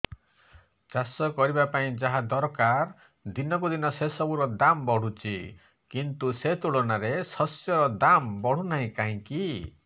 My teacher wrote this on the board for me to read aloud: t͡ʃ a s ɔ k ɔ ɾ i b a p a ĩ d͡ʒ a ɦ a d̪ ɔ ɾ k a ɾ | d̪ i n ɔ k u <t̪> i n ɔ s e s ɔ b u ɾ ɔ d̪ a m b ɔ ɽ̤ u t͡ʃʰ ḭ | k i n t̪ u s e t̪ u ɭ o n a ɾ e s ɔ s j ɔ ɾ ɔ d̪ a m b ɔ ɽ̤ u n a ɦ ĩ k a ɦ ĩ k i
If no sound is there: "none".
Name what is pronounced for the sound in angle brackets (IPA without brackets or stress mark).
d̪